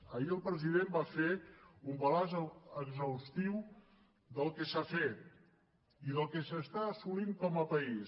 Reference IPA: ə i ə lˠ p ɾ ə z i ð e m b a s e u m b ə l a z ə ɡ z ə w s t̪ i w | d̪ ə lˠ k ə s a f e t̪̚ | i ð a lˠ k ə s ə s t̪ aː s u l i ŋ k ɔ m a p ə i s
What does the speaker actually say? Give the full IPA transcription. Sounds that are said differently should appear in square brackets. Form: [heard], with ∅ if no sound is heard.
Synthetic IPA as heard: ə i ə lˠ p ɾ ə z i ð e m b a [f] e u m b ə l a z ə ɡ z ə w s t̪ i w | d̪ ə lˠ k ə s a f e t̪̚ | i ð [ə] lˠ k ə s ə s t̪ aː s u l i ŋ k ɔ m [ə] p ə i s